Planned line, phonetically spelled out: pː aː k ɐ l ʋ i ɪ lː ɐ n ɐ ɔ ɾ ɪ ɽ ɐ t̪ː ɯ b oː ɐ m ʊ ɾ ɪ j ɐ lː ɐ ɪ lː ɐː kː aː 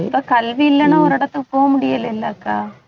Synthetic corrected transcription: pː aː k ɐ l ʋ i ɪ lː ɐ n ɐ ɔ ɾ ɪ ɽ ɐ t̪ː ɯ p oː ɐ m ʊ ɽ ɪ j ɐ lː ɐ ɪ lː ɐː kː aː